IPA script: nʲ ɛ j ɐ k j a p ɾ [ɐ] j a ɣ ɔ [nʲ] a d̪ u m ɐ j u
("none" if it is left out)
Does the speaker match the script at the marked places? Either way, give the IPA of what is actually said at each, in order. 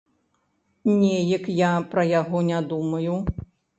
ɐ, nʲ

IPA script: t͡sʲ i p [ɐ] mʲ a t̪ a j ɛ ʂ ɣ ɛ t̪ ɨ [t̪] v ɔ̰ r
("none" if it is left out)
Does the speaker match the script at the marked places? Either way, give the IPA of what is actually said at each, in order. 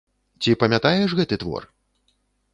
ɐ, t̪

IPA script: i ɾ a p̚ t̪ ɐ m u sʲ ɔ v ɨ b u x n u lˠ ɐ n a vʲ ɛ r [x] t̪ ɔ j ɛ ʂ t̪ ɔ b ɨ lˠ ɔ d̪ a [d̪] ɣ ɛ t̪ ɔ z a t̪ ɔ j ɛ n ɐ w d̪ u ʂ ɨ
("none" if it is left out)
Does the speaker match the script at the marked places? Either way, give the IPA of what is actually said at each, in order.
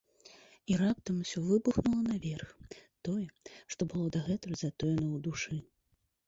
x, none

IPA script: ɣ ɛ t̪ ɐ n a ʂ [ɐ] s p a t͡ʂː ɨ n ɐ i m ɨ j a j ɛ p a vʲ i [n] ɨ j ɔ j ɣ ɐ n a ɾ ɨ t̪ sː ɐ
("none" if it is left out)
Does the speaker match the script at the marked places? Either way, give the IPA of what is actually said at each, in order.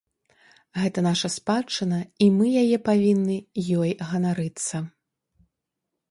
ɐ, nː

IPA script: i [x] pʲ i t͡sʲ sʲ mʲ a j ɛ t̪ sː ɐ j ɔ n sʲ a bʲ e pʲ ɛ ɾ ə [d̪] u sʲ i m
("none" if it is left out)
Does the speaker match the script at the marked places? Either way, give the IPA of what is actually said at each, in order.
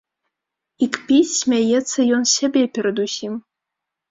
k, d̪

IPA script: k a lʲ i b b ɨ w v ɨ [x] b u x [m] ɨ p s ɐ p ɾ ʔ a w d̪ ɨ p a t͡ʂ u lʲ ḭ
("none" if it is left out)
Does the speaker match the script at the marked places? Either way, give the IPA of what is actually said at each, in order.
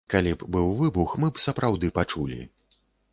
none, m

